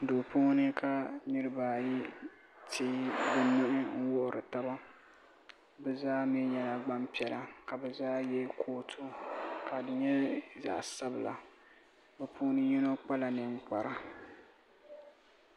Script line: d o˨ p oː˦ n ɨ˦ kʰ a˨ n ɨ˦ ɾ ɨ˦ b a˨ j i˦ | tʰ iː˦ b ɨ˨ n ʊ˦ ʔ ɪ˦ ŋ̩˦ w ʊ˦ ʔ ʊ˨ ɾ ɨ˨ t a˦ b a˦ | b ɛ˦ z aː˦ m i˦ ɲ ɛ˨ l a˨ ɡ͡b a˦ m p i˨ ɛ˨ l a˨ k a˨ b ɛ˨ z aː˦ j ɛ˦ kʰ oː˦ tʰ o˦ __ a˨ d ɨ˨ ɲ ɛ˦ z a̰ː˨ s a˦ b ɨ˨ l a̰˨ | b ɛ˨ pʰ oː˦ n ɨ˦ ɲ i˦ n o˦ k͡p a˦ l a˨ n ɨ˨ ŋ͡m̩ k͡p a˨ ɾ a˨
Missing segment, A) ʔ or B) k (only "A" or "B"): B